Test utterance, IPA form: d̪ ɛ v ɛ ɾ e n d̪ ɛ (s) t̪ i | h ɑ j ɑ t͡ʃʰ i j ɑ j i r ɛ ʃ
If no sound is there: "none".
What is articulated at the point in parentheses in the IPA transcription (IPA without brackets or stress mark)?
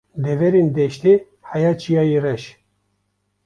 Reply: ʃ